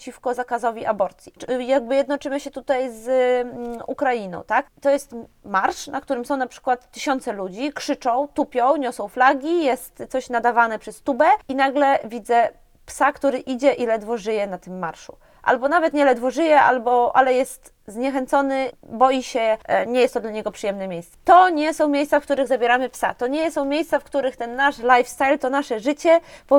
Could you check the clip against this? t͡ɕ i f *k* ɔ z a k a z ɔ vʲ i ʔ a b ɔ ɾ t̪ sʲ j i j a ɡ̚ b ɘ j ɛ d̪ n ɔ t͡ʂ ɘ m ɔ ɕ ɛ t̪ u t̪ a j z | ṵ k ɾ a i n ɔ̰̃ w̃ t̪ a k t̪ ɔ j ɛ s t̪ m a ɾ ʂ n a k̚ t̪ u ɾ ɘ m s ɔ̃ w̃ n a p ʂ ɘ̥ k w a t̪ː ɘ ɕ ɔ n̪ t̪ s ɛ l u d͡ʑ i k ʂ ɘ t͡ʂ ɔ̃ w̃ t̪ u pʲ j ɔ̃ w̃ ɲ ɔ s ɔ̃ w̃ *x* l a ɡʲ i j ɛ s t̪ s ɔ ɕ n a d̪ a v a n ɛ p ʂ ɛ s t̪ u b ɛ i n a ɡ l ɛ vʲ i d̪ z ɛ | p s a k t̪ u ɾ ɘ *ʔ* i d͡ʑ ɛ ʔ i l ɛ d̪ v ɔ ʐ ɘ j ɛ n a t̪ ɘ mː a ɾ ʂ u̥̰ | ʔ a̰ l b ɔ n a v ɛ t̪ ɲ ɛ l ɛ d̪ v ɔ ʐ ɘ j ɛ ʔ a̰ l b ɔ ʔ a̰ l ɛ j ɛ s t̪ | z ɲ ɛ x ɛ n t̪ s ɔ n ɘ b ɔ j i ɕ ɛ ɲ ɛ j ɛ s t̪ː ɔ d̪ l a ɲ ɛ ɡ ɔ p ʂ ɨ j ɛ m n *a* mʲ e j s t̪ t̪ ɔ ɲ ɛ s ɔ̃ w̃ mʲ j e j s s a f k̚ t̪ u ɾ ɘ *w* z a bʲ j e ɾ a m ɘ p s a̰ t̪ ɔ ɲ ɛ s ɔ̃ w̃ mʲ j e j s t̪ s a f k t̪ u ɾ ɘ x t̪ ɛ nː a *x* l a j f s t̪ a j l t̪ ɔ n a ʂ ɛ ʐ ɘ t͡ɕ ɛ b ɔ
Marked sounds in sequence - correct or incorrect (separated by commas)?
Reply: correct, incorrect, correct, incorrect, incorrect, incorrect